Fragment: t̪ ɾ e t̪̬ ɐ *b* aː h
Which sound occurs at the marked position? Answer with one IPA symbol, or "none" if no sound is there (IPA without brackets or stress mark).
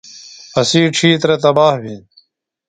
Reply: b